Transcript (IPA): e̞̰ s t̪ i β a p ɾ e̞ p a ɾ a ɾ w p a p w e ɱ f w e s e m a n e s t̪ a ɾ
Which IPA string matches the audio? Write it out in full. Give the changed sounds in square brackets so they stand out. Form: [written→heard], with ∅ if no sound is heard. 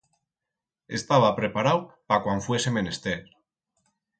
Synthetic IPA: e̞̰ s t̪ [i→a] β a p ɾ e̞ p a ɾ a [ɾ→∅] w p a [p→k] w [e→a] ɱ f w e s e m [a→e] n e s t̪ [a→e] ɾ